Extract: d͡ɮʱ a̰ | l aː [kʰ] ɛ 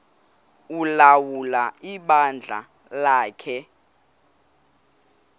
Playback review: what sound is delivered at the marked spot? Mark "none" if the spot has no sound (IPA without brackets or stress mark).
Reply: kʰ